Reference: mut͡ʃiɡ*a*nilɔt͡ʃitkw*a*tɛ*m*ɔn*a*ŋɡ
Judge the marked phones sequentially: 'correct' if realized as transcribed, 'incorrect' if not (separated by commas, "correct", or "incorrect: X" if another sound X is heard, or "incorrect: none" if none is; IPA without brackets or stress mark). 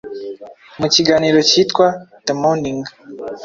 correct, correct, correct, incorrect: i